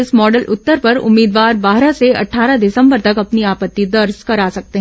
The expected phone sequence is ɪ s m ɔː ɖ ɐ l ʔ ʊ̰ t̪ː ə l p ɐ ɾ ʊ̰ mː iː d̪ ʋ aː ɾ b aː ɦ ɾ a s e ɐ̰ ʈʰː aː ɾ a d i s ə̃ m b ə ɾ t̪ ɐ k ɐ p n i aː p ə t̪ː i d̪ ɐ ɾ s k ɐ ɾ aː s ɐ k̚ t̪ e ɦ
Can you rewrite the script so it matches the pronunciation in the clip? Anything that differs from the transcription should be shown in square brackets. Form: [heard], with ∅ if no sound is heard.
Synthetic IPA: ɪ s m ɔː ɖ [ə] l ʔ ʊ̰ t̪ː ə [ɾ] p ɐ ɾ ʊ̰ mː iː d̪ ʋ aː ɾ b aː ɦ ɾ a s e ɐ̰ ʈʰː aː ɾ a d [ɪ] s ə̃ m b ə ɾ t̪ ɐ k ɐ p n i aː p ə t̪ː i d̪ ɐ ɾ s k ɐ ɾ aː s ɐ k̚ t̪ e ɦ